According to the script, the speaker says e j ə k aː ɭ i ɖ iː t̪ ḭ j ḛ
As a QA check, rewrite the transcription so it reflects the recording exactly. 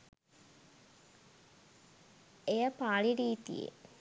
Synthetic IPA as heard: e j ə p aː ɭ i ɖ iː t̪ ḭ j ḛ